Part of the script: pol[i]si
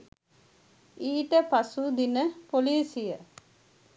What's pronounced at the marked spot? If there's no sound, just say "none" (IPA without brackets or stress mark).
iː